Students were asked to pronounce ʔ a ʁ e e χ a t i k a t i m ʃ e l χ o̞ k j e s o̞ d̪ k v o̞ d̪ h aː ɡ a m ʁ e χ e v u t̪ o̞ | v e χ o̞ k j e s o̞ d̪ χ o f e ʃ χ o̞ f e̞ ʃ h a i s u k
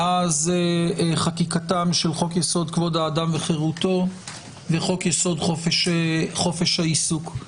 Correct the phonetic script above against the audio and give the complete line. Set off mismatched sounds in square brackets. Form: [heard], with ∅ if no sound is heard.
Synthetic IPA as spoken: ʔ a [z] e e χ a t i k a t [a] m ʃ e l χ o̞ k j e s o̞ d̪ k v o̞ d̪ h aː [d] a m [v] e χ e [ʁ] u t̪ o̞ | v e χ o̞ k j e s o̞ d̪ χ o f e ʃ χ o̞ f e̞ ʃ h a i s u k